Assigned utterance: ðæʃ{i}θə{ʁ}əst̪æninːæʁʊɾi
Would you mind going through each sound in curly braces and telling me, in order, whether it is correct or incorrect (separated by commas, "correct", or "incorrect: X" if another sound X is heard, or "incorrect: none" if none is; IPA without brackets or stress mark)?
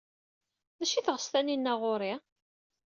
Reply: correct, correct